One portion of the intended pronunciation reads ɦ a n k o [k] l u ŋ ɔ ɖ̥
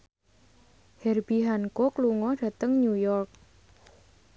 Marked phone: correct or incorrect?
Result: correct